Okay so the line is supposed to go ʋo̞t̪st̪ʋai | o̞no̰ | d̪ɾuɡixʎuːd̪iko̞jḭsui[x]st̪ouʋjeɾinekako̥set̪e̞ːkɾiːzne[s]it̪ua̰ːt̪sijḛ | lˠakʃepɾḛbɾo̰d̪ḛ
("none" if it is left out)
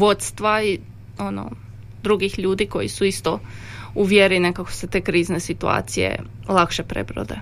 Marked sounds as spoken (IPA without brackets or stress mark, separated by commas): none, s